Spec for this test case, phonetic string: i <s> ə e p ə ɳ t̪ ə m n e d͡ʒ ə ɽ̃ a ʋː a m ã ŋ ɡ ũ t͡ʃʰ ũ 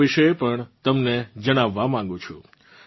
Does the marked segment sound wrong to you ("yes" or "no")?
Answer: yes